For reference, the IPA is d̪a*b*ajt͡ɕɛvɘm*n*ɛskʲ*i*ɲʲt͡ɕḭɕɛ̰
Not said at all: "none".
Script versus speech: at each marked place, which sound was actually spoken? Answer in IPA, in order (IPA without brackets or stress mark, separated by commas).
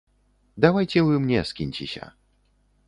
w, ɲ, i